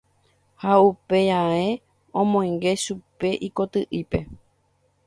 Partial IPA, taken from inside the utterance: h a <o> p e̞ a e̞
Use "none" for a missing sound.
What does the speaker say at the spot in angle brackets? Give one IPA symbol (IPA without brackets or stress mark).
u